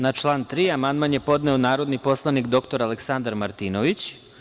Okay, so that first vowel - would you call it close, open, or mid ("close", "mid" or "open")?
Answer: open